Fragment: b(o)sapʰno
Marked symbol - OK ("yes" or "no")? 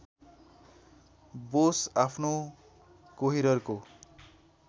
yes